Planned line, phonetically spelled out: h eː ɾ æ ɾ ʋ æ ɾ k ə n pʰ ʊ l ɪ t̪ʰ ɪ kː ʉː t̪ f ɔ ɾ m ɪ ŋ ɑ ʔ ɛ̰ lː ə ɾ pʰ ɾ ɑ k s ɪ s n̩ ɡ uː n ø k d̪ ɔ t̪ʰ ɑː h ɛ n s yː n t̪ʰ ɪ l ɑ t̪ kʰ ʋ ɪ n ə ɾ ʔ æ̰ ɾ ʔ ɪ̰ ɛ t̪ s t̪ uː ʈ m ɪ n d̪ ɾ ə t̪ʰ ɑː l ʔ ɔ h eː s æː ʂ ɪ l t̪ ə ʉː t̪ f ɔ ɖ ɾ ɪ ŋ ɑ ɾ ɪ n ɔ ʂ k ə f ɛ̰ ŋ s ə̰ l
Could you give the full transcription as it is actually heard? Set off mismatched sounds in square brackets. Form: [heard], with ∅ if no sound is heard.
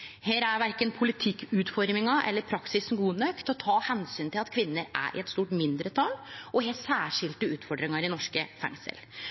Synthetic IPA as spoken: h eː ɾ æ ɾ ʋ æ ɾ k ə n pʰ ʊ l ɪ t̪ʰ ɪ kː ʉː t̪ f ɔ ɾ m ɪ ŋ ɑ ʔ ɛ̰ lː ə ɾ pʰ ɾ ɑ k s ɪ s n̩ ɡ uː n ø k [t̪] ɔ t̪ʰ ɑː h ɛ n s yː n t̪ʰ ɪ l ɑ t̪ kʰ ʋ ɪ [nː] ə ɾ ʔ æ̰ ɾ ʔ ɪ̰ ɛ t̪ s t̪ uː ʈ m ɪ n d̪ ɾ ə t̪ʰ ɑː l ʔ ɔ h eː s æː ʂ ɪ l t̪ ə ʉː t̪ f ɔ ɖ ɾ ɪ ŋ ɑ ɾ ɪ n ɔ ʂ k ə f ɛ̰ ŋ s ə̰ l

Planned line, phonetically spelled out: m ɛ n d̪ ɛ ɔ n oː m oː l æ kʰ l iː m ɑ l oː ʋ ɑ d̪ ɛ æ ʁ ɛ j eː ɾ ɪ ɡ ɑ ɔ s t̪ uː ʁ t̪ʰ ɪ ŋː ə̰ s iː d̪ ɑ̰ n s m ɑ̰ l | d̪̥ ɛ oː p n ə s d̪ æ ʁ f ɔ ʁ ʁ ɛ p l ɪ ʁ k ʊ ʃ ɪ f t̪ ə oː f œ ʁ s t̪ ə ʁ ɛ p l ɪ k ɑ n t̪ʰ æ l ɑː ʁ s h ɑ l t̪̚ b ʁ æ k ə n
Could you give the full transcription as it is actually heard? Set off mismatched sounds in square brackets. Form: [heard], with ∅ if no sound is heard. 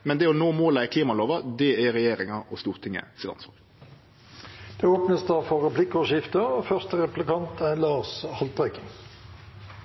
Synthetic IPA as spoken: m ɛ n d̪ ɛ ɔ n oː m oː l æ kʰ l iː m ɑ l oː ʋ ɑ d̪ ɛ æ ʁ ɛ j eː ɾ ɪ [ŋ] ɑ ɔ s t̪ uː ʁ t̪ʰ ɪ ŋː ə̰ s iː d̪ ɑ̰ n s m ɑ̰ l | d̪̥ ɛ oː p n ə s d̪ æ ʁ f ɔ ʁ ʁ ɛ p l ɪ [∅] k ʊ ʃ ɪ f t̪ ə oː f œ ʁ s t̪ ə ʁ ɛ p l ɪ k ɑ n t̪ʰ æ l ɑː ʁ s h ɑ l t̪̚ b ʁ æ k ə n

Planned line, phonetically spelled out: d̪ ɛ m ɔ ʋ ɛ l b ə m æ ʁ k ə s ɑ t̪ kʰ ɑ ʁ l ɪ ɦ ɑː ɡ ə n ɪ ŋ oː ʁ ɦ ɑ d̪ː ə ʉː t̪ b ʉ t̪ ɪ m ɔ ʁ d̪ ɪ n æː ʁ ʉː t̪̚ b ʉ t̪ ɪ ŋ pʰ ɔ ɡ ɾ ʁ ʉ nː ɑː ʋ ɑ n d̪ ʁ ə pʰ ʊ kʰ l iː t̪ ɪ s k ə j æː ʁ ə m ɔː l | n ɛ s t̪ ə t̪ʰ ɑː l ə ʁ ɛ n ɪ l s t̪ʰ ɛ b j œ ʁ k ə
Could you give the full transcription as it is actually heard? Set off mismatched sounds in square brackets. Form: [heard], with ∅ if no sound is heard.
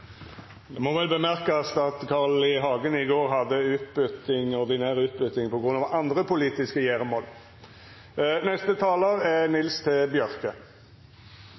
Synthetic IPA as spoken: d̪ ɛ m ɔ ʋ ɛ l b ə m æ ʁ k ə s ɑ t̪ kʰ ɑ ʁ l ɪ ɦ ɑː ɡ ə n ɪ [ɡ] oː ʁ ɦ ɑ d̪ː ə ʉː t̪ b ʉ t̪ ɪ [ŋ] ɔ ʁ d̪ ɪ n æː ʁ ʉː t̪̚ b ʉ t̪ ɪ ŋ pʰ ɔ ɡ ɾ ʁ ʉ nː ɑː ʋ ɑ n d̪ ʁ ə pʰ ʊ [∅] l iː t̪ ɪ s k ə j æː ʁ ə m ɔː l | n ɛ s t̪ ə t̪ʰ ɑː l ə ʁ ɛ n ɪ l s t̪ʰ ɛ b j œ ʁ k ə

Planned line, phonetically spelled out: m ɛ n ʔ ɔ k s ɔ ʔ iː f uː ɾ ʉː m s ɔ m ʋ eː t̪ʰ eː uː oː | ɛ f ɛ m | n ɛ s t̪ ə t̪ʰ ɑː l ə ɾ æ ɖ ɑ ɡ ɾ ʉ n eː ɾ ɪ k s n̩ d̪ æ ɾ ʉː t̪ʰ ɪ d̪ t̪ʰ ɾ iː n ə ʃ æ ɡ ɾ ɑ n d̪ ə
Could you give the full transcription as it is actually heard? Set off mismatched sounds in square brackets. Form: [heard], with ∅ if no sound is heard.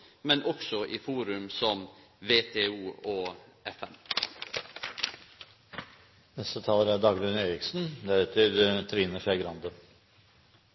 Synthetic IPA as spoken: m ɛ n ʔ ɔ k s ɔ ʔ iː f uː ɾ [ʉ] m s ɔ m ʋ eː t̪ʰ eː uː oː | ɛ f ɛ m | n ɛ s t̪ ə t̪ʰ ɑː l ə ɾ æ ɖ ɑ ɡ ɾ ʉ n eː ɾ ɪ k s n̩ d̪ æ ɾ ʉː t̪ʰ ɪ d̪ t̪ʰ ɾ iː n ə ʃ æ ɡ ɾ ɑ n d̪ ə

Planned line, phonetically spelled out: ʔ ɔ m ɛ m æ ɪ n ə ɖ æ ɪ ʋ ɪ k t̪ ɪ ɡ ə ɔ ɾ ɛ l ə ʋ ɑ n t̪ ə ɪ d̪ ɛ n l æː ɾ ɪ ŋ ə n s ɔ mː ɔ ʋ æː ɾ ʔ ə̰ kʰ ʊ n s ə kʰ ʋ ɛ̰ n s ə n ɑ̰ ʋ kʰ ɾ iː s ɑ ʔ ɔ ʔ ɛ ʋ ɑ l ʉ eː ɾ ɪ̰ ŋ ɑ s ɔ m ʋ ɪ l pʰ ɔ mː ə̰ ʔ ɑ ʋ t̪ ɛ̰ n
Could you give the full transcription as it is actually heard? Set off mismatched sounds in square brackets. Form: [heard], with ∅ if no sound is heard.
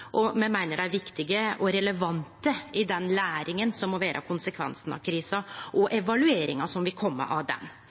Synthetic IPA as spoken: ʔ ɔ m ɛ m æ ɪ n ə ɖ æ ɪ ʋ ɪ k t̪ ɪ ɡ ə ɔ ɾ ɛ l ə ʋ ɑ n t̪ ə ɪ d̪ ɛ n l æː ɾ ɪ ŋ ə n s ɔ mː ɔ ʋ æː ɾ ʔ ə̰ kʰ ʊ n s ə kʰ ʋ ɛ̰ n s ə n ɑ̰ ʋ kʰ ɾ iː s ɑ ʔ ɔ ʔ ɛ ʋ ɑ l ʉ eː ɾ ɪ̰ ŋ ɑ s ɔ m ʋ ɪ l [kʰ] ɔ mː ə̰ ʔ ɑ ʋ [d̪] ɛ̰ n

